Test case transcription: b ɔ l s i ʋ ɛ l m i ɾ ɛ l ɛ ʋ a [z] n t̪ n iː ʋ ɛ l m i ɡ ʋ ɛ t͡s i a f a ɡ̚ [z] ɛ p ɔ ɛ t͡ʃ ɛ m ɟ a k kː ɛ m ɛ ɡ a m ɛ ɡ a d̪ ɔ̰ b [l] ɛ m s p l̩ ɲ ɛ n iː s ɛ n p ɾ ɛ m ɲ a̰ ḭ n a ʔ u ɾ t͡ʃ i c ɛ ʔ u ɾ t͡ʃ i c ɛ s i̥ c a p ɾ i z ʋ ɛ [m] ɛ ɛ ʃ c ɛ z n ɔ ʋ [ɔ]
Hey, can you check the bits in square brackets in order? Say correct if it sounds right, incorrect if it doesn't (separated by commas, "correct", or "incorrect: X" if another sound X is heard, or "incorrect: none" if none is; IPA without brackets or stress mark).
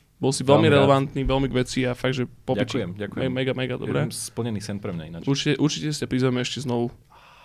incorrect: none, incorrect: ʒ, incorrect: ɾ, correct, incorrect: u